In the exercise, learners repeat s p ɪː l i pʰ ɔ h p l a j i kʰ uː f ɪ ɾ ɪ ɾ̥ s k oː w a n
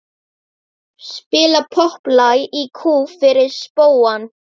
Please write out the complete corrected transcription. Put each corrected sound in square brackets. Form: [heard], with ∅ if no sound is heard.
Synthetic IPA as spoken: s p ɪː l [a] pʰ ɔ h p l a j i kʰ uː f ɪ ɾ ɪ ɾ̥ s [p] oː w a n